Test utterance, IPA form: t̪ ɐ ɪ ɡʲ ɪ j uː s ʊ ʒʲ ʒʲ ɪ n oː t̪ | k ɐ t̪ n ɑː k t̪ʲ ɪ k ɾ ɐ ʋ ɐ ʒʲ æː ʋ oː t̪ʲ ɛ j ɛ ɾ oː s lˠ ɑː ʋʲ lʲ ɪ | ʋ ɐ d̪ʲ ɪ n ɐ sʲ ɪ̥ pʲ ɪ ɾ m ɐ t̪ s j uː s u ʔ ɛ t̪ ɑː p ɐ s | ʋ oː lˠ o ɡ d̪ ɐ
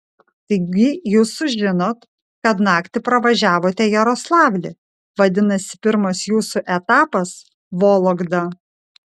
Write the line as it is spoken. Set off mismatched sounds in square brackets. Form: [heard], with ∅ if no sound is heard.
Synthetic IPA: t̪ ɐ ɪ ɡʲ ɪ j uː s ʊ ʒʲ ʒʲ ɪ n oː t̪ | k ɐ t̪ n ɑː k t̪ʲ ɪ [p] ɾ ɐ ʋ ɐ ʒʲ æː ʋ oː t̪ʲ ɛ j ɛ ɾ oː s lˠ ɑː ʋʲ lʲ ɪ | ʋ ɐ d̪ʲ ɪ n ɐ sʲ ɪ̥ pʲ ɪ ɾ m ɐ [∅] s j uː s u ʔ ɛ t̪ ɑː p ɐ s | ʋ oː lˠ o ɡ d̪ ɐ